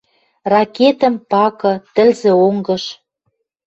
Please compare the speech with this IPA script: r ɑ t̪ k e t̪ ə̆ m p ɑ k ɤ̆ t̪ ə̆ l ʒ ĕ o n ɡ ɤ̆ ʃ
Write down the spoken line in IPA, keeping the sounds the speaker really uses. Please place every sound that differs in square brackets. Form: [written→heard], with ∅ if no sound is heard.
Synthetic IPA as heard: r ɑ [t̪→∅] k e t̪ ə̆ m p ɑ k ɤ̆ t̪ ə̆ l [ʒ→z] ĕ o [n→ŋ] ɡ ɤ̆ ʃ